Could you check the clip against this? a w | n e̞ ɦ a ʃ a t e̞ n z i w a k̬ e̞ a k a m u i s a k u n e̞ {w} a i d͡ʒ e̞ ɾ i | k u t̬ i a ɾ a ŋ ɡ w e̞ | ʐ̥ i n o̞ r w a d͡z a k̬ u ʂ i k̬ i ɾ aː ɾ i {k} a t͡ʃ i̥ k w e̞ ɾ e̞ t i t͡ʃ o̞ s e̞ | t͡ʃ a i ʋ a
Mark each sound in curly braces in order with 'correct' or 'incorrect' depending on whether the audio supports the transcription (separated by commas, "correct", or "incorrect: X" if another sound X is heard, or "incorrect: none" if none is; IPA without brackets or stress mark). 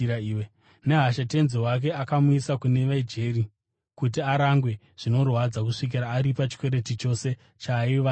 incorrect: ʋ, incorrect: p